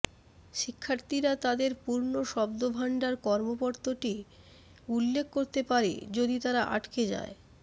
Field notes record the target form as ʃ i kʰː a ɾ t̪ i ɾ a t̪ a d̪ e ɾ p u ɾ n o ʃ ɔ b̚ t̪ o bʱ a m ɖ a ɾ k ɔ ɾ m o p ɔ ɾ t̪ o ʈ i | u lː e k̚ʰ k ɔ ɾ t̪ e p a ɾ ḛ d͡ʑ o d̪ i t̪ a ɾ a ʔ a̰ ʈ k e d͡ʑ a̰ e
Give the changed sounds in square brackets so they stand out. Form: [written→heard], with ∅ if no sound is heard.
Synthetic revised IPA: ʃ i kʰː a ɾ t̪ i ɾ a t̪ a d̪ e ɾ p u ɾ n o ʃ ɔ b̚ [t̪→d̪] o bʱ a [m→ɳ] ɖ a ɾ k ɔ ɾ m o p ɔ ɾ t̪ o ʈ i | u lː e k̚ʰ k [ɔ→o] ɾ t̪ e p a ɾ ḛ d͡ʑ o d̪ i t̪ a ɾ a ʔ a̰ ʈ k e d͡ʑ a̰ e